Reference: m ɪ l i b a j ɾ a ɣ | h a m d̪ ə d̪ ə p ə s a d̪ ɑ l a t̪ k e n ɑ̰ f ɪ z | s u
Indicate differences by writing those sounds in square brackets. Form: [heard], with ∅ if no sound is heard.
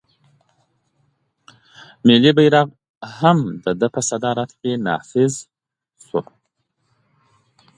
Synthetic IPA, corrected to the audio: m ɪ l i b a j ɾ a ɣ | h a m d̪ ə d̪ ə p ə s a d̪ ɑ [ɾ] a t̪ k e n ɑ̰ f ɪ z | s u